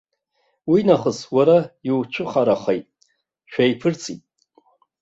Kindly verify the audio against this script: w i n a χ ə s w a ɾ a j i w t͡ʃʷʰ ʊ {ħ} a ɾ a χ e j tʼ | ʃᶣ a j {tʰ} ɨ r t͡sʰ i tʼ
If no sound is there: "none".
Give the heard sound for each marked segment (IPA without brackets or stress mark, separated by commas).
χ, pʰ